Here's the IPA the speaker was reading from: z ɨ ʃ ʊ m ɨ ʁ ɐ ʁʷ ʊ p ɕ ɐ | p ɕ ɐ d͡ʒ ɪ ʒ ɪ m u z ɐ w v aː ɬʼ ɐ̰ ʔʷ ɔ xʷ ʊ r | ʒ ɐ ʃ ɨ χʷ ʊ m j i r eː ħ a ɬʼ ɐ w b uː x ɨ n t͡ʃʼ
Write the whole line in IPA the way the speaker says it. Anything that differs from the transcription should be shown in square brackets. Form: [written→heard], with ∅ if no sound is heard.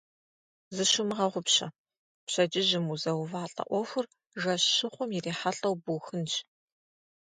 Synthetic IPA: z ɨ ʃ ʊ m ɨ ʁ ɐ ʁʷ ʊ p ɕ ɐ | p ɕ ɐ d͡ʒ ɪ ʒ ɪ m u z ɐ w v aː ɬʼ ɐ̰ ʔʷ ɔ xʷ ʊ r | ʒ ɐ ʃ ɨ χʷ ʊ m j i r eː ħ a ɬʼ ɐ w b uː x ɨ n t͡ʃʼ